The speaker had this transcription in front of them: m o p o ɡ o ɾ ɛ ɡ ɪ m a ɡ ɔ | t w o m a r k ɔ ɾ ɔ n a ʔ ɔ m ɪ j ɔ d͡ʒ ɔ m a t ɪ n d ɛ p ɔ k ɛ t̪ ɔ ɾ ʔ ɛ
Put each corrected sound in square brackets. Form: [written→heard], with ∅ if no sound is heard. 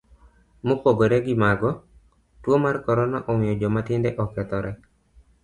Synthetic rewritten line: m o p o ɡ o ɾ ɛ ɡ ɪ m a ɡ ɔ | t w o m a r k ɔ ɾ ɔ n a ʔ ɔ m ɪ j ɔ d͡ʒ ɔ m a t ɪ n d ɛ [p→ʔ] ɔ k ɛ t̪ ɔ ɾ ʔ ɛ